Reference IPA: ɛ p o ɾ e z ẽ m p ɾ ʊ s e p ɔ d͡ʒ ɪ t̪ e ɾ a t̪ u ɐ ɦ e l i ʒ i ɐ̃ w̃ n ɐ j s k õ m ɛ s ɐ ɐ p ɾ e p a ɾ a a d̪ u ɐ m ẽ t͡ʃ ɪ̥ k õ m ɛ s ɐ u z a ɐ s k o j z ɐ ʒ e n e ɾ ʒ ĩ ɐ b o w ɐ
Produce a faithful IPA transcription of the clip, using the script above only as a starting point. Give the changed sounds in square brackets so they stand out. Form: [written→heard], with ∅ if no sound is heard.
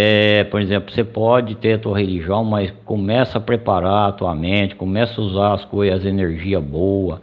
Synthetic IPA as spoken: ɛ p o ɾ e z ẽ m p [ɾ→l] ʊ s e p ɔ d͡ʒ ɪ t̪ e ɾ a t̪ u ɐ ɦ e l i ʒ i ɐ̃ w̃ [n→m] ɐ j s k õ m ɛ s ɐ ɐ p ɾ e p a ɾ a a [d̪→t̪] u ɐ m ẽ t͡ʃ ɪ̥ k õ m ɛ s ɐ u z a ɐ s k o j z ɐ [ʒ→z] e n e ɾ ʒ [ĩ→i] ɐ b o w ɐ